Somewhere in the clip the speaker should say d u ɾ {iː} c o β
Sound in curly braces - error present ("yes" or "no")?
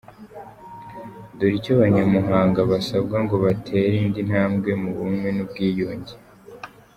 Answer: yes